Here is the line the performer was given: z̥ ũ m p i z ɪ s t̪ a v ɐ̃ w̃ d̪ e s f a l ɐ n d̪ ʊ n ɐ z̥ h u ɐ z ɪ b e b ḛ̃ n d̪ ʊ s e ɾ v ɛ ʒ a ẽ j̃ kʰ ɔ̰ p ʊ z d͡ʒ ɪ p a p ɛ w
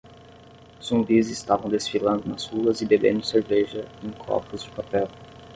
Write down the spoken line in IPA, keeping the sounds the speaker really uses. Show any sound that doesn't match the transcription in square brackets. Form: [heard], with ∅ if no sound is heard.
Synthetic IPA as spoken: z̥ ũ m [b] i z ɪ s t̪ a v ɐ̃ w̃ d̪ e s f [i] l [ɐ̃] n d̪ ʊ n ɐ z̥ h u ɐ z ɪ b e b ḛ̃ n d̪ ʊ s e ɾ v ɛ ʒ [ɐ] ẽ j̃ kʰ ɔ̰ p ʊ z d͡ʒ ɪ p a p ɛ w